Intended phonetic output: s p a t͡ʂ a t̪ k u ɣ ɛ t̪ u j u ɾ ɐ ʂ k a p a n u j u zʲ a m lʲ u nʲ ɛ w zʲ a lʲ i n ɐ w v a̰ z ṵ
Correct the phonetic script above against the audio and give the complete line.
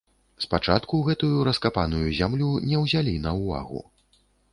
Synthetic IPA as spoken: s p a t͡ʂ a t̪ k u ɣ ɛ t̪ u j u ɾ ɐ s k a p a n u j u zʲ a m lʲ u nʲ ɛ w zʲ a lʲ i n ɐ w v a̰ ɣ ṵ